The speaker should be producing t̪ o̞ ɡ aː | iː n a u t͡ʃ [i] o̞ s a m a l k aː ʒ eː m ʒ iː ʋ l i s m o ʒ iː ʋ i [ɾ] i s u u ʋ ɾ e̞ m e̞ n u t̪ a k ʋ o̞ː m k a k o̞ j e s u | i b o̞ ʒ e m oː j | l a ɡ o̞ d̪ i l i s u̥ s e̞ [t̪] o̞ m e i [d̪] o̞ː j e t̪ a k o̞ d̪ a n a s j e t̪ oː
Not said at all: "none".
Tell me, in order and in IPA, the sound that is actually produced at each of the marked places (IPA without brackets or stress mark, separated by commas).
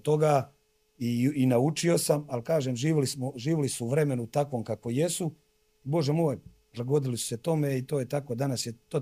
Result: i, l, t̪, t̪